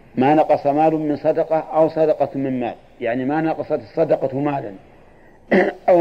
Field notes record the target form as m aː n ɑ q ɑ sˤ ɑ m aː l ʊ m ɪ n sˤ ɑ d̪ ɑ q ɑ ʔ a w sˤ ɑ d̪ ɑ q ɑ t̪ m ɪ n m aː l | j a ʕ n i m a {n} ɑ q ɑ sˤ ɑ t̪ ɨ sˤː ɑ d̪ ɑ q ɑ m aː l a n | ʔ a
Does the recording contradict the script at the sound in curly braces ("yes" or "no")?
no